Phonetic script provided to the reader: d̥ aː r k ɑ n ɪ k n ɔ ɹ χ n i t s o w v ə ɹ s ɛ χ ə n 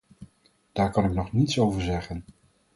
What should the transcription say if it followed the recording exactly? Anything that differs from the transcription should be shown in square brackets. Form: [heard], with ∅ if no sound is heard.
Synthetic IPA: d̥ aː [ɹ] k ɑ n ɪ k n ɔ [∅] χ n i t s o w v ə ɹ [z] ɛ χ ə n